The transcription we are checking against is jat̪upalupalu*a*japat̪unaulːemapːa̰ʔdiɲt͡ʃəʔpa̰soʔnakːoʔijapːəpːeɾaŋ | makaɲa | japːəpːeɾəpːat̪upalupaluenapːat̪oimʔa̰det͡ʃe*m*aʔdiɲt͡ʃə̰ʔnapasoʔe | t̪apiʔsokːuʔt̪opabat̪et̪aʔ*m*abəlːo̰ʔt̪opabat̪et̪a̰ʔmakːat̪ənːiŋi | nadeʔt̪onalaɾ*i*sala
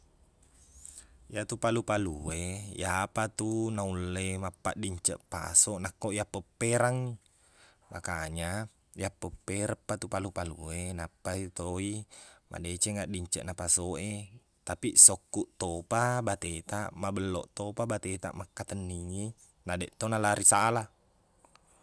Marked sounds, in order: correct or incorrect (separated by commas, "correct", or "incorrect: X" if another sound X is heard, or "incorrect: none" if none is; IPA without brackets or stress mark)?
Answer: incorrect: e, incorrect: ŋ, correct, correct